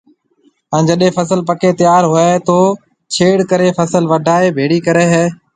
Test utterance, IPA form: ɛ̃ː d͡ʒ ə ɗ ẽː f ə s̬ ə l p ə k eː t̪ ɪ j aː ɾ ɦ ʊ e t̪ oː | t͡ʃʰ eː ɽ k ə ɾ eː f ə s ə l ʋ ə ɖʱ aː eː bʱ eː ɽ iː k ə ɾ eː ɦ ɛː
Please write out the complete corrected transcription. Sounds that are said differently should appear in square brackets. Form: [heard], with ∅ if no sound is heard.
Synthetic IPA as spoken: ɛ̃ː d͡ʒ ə ɗ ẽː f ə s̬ ə l p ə k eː t̪ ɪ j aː ɾ ɦ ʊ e t̪ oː | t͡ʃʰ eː ɽ k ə ɾ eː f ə s ə l ʋ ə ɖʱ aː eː bʱ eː ɽ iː k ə ɾ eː ɦ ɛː